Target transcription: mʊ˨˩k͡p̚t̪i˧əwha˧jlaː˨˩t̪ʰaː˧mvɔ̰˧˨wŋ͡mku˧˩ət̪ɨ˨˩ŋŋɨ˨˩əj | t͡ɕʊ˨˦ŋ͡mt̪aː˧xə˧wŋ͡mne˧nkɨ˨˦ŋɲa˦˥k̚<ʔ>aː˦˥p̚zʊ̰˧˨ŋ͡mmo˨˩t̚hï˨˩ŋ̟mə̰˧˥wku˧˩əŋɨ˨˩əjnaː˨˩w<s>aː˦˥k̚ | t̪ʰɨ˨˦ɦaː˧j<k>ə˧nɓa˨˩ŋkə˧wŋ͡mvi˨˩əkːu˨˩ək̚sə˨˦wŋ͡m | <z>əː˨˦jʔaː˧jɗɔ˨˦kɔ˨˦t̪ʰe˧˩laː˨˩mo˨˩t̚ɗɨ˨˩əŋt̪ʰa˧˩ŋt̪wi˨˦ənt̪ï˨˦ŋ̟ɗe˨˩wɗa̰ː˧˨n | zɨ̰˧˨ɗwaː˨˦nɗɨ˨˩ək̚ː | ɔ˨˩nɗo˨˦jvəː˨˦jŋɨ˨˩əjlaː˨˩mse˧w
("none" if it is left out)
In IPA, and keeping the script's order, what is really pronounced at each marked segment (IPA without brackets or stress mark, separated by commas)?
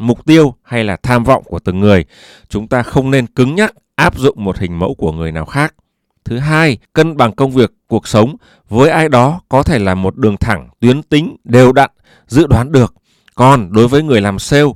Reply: ʔ, x, k, v